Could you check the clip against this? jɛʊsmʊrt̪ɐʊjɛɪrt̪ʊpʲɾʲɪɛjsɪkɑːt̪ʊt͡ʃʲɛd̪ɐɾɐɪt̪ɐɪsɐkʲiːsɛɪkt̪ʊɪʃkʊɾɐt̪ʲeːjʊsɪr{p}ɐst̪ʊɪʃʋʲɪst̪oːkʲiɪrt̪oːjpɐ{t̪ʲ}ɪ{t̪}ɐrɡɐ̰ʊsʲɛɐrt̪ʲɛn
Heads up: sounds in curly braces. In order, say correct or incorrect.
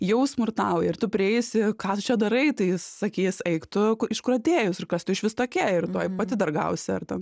incorrect: k, correct, incorrect: d̪

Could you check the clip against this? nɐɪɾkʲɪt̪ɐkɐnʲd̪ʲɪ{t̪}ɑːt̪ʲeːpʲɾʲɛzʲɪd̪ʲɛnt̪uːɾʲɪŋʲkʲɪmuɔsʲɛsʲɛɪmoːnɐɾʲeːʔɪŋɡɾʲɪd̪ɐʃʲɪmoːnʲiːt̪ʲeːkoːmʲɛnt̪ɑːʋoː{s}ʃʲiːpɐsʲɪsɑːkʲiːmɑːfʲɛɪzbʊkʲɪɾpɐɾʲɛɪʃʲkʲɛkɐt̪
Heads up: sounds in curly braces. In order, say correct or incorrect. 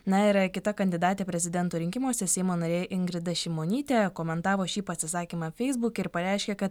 incorrect: d̪, incorrect: none

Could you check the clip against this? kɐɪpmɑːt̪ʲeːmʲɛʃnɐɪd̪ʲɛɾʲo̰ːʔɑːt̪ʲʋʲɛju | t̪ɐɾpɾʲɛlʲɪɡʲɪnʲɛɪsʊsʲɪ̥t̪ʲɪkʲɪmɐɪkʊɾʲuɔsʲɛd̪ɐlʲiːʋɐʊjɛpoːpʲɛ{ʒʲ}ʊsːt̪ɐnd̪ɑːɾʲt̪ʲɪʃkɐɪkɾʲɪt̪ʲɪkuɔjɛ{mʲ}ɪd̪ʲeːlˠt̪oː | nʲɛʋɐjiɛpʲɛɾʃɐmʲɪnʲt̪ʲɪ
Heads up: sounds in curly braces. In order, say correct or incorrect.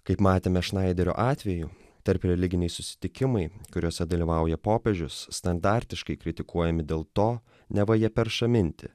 correct, correct

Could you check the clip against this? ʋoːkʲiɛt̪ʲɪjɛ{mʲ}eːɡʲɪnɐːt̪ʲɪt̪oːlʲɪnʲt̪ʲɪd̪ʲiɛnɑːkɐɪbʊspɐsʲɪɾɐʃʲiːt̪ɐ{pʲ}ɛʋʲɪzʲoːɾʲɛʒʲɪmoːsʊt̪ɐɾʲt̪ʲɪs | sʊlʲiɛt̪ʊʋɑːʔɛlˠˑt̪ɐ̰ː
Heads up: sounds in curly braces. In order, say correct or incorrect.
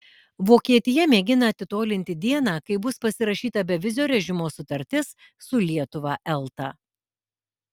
correct, incorrect: bʲ

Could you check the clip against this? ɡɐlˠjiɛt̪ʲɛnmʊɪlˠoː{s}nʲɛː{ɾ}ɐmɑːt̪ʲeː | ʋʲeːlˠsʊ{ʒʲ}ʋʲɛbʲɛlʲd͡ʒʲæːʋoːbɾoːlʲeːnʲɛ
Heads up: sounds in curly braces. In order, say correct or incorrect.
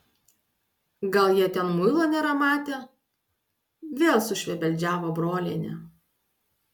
incorrect: none, correct, incorrect: ʃʲ

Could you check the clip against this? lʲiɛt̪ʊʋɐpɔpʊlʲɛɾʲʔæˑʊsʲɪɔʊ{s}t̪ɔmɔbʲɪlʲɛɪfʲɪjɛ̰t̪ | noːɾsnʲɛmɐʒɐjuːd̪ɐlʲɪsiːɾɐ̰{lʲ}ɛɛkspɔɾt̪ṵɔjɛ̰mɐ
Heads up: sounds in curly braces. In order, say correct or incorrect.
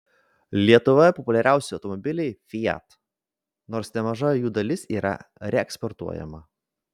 incorrect: none, incorrect: ɾʲ

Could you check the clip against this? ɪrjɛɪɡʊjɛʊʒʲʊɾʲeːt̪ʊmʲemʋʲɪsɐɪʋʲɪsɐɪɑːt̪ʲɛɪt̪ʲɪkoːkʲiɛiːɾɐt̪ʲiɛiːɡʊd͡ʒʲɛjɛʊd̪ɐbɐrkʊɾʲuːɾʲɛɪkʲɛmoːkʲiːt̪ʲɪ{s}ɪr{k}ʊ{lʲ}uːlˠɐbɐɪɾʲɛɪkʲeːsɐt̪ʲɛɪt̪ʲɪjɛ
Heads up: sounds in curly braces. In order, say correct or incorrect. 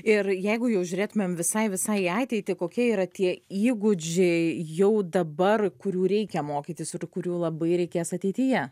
correct, correct, incorrect: ɾʲ

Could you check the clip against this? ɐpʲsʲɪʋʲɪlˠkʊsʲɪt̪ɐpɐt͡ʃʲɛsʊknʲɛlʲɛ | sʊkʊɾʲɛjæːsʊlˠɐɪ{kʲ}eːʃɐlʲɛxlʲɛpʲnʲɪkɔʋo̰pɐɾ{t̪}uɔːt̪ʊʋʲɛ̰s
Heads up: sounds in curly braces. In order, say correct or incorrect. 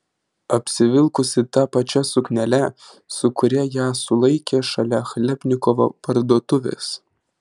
correct, incorrect: d̪

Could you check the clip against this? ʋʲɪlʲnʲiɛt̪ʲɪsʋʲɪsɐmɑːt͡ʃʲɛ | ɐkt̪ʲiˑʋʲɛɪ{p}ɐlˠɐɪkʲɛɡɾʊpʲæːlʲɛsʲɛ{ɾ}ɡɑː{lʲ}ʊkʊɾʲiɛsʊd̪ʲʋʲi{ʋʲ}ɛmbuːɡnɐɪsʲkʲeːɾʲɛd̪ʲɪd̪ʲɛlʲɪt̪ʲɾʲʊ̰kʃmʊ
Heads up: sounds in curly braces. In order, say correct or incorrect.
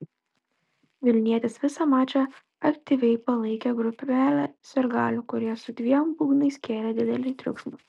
correct, correct, correct, incorrect: none

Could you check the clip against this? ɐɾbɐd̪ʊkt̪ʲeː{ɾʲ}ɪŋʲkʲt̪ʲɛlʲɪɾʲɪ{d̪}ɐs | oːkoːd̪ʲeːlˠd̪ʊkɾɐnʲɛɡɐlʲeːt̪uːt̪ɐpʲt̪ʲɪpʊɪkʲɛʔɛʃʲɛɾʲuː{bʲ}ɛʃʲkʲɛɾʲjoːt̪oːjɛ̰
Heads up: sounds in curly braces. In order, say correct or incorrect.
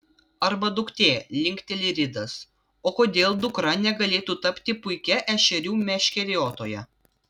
incorrect: lʲ, correct, incorrect: mʲ

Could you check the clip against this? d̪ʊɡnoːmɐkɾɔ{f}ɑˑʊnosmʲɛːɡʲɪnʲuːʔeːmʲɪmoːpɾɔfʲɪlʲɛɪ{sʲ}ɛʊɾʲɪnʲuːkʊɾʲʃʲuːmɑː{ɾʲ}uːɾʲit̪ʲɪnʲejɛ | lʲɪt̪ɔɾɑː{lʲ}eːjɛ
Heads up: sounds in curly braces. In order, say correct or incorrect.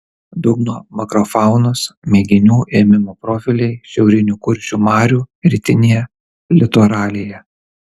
correct, incorrect: ʃʲ, correct, correct

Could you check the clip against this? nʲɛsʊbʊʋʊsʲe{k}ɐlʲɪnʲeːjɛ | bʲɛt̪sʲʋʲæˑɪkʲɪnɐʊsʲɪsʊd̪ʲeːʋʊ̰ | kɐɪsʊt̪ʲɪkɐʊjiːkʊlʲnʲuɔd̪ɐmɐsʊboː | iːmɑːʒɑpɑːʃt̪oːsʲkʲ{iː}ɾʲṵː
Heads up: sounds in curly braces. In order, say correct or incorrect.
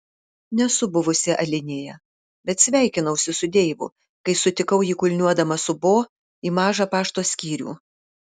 incorrect: ʔ, correct

